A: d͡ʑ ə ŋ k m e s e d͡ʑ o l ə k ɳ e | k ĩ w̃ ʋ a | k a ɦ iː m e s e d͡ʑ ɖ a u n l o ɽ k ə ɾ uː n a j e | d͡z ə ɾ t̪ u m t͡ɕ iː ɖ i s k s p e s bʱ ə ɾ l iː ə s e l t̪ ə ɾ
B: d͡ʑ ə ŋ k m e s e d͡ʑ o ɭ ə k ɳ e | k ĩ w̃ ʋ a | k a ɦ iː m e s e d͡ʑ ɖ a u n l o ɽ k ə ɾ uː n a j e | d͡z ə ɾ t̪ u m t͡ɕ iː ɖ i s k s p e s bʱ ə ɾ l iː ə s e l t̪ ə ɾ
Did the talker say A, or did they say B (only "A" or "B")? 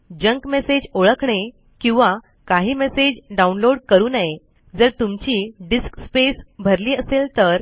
B